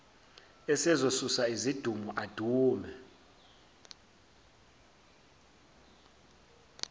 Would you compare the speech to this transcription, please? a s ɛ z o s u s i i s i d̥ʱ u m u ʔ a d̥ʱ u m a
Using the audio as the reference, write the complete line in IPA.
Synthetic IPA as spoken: ɛ s ɛ z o s u s a i z i d̥ʱ u m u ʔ a d̥ʱ uː m ɛ